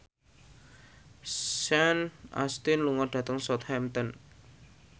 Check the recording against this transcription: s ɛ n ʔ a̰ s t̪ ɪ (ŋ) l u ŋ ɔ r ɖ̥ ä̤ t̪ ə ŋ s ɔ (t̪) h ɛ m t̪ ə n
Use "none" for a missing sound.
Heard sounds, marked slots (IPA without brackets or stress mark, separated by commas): n, t̪